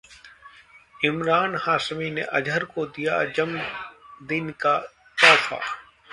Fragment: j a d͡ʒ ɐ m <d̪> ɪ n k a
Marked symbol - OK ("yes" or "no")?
yes